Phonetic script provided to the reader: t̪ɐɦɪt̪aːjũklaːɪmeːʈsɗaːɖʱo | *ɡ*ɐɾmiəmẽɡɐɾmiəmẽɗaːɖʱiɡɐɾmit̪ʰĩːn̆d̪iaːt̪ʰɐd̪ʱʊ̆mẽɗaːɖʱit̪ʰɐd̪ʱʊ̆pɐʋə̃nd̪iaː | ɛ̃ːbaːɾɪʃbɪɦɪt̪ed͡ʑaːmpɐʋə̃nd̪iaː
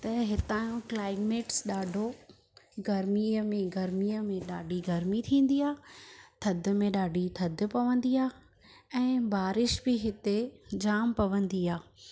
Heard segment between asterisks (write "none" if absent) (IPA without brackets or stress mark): ɡ